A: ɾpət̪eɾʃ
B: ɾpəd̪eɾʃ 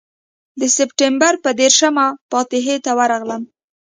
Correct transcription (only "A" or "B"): B